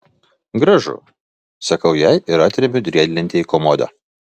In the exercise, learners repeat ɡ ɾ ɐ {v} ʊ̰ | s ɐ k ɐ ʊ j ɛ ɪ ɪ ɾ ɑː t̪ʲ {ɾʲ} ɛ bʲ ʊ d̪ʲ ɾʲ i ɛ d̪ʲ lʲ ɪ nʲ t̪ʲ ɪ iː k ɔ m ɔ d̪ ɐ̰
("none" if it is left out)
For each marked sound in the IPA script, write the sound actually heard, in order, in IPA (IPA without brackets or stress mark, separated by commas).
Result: ʒ, ɾʲ